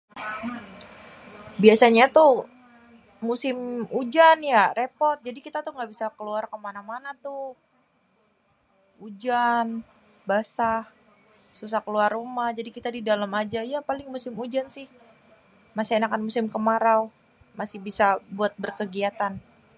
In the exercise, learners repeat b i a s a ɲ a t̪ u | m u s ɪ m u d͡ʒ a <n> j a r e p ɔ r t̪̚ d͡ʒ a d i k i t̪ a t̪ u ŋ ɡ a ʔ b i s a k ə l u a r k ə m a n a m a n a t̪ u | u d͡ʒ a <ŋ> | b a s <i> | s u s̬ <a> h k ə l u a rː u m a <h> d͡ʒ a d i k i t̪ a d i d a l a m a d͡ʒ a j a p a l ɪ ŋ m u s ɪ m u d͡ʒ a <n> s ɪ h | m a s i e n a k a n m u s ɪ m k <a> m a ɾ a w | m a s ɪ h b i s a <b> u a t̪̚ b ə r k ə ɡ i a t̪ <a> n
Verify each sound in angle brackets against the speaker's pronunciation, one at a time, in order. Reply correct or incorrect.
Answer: correct, incorrect: n, incorrect: a, correct, correct, correct, incorrect: ə, correct, correct

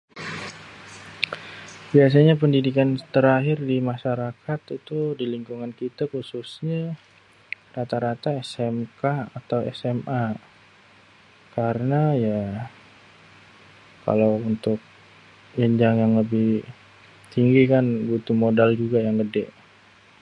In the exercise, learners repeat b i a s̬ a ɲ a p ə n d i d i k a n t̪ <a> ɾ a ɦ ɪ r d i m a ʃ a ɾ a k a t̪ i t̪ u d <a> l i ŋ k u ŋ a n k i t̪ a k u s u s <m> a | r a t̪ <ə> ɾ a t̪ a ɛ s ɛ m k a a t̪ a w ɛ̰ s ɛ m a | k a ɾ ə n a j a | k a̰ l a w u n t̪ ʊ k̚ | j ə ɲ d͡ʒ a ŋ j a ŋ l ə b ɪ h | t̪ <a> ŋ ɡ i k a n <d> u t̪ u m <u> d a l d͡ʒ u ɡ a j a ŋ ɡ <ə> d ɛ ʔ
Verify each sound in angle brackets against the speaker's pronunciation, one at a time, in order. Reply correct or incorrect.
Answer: incorrect: ə, incorrect: i, incorrect: ɲ, incorrect: a, incorrect: i, incorrect: b, incorrect: o, correct

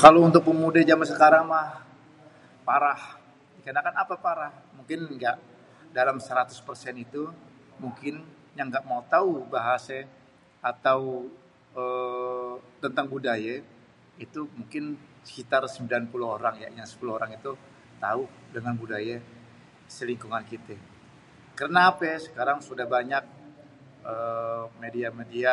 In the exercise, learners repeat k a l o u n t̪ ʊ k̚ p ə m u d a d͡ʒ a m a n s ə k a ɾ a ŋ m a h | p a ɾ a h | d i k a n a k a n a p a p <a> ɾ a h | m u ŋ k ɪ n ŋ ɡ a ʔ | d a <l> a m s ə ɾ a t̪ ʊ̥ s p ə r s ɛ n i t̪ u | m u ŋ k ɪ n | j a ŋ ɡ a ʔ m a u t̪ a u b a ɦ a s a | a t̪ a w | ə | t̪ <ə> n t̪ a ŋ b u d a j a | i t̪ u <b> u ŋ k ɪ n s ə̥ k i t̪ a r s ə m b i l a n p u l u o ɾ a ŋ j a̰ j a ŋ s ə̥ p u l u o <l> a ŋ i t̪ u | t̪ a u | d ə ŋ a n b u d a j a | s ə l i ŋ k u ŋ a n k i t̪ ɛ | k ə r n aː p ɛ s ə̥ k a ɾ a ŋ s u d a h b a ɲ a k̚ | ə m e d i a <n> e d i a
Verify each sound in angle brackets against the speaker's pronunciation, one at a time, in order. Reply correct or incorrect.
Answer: correct, correct, correct, incorrect: m, incorrect: ɾ, incorrect: m

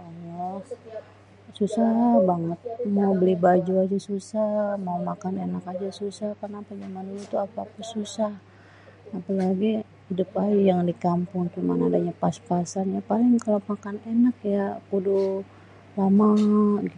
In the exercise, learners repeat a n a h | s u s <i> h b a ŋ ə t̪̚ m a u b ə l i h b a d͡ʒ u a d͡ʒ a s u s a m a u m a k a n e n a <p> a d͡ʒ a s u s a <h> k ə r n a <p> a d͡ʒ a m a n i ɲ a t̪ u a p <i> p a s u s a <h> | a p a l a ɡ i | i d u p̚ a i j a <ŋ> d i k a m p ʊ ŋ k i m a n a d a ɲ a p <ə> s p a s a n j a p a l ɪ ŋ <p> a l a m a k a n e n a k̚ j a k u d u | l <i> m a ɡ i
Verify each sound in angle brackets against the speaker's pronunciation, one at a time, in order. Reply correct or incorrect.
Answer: incorrect: a, incorrect: k, correct, correct, incorrect: a, correct, correct, incorrect: a, incorrect: k, incorrect: a

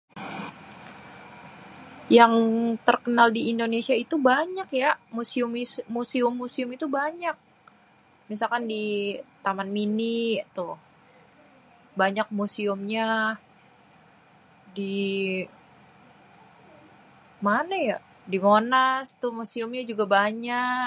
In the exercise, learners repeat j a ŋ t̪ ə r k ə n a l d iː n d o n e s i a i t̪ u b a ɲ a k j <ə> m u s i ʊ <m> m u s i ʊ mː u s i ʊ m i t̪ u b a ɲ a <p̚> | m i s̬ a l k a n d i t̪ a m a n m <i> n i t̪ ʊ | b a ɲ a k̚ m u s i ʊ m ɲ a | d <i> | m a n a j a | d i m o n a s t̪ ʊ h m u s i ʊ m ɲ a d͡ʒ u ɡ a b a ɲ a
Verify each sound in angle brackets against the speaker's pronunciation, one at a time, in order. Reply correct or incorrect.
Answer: incorrect: a, correct, incorrect: k̚, correct, correct

